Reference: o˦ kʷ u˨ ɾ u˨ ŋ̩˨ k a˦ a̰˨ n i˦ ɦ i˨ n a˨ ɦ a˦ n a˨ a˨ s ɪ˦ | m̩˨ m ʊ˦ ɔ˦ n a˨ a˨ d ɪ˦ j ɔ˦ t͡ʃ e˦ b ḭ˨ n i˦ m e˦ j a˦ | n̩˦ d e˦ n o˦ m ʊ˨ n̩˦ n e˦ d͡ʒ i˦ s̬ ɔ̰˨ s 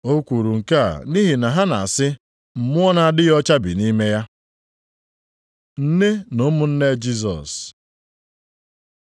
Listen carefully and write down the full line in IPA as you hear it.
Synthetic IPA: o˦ kʷ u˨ ɾ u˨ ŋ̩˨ k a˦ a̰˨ n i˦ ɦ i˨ n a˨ ɦ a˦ n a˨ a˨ s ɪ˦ | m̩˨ m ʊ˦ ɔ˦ n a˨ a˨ d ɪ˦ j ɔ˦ t͡ʃ a˦ b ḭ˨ n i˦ m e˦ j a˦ | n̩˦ n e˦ n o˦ m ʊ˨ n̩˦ n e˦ d͡ʒ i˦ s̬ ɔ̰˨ s